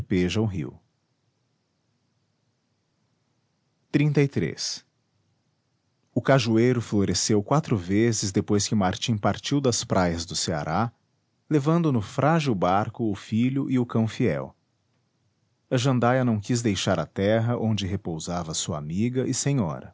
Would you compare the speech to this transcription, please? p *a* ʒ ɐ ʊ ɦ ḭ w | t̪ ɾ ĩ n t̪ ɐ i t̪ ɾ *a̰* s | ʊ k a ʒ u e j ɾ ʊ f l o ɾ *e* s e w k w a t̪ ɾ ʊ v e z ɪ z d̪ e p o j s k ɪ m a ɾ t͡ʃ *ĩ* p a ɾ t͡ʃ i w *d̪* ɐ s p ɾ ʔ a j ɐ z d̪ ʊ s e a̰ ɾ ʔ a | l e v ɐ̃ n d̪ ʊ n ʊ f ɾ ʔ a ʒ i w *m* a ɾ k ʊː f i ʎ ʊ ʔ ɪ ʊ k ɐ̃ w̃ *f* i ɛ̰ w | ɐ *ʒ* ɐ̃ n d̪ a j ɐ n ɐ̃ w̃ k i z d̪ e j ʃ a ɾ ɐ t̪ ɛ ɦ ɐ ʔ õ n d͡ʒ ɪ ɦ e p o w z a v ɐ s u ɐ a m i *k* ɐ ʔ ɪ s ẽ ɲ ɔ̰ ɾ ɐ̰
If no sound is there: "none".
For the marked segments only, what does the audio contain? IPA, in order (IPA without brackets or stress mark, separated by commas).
e, ḛ, e, ĩ, d̪, b, f, ʒ, ɡ